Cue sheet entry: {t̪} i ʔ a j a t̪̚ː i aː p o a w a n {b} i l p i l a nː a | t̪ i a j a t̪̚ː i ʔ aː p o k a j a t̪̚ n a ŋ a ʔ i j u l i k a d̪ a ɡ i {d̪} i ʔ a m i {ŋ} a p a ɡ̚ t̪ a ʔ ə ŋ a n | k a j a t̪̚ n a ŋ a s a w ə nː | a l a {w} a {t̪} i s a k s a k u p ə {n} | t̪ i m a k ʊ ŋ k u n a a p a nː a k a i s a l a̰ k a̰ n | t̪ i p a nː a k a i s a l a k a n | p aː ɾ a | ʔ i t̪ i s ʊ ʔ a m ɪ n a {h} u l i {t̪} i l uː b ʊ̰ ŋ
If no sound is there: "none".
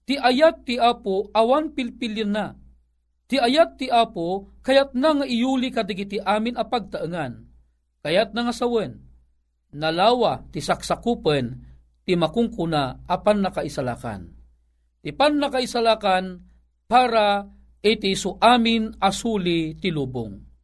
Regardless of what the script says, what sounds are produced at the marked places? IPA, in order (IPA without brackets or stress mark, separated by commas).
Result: t̪, p, t̪, n, w, t̪, n, s, t̪